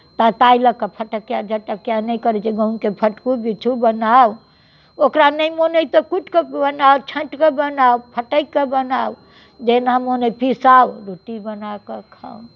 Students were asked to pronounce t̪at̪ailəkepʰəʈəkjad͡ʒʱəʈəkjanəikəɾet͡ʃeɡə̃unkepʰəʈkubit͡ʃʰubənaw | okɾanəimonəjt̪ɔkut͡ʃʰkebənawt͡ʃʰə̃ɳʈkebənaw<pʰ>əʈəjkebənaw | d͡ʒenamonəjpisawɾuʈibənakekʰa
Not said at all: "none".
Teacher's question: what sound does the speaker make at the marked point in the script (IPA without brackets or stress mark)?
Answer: pʰ